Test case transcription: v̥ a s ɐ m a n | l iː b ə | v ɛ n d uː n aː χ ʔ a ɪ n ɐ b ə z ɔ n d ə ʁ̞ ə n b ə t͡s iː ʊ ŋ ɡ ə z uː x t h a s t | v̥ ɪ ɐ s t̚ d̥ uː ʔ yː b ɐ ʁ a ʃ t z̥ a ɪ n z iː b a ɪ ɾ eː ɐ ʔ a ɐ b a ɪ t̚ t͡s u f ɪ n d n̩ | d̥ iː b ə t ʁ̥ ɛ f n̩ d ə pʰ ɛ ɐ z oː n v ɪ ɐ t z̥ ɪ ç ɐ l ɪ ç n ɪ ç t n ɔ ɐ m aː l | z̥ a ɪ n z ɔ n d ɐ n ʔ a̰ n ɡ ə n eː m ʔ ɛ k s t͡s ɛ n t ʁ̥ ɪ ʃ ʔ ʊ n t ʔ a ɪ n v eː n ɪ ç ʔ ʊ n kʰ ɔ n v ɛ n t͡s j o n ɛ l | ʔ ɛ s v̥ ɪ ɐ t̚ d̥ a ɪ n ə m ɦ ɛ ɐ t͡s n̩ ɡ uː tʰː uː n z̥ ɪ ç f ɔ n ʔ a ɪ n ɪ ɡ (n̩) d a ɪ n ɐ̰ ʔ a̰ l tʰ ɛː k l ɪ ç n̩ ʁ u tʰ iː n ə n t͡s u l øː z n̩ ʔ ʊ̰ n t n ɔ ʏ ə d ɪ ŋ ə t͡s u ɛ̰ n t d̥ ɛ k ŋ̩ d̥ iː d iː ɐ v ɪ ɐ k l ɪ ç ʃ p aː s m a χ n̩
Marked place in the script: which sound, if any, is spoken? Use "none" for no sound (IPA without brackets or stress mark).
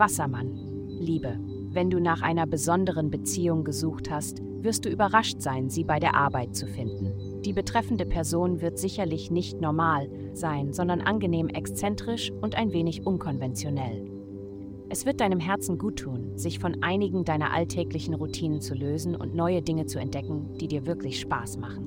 ŋ̩